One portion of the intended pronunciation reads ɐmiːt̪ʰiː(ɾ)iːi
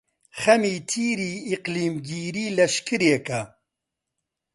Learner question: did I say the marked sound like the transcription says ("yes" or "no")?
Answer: yes